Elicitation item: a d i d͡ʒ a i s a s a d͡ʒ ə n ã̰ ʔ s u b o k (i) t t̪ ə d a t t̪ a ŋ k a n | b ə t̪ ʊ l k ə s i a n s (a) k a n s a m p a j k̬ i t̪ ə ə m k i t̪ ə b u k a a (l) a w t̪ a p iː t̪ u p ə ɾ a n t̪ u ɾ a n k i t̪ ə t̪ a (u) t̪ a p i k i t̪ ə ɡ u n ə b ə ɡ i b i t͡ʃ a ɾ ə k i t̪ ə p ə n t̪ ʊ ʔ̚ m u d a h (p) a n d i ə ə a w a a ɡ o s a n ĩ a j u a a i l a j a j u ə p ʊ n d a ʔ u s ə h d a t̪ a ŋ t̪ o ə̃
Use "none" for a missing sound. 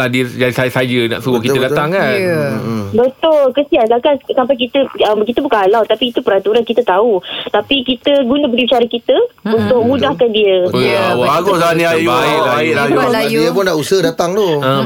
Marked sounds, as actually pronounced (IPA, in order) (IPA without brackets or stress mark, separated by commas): i, a, l, u, k